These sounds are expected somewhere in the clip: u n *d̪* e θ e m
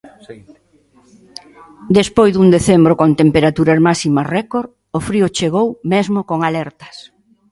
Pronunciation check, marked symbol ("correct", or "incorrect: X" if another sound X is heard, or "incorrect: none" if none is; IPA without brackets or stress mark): correct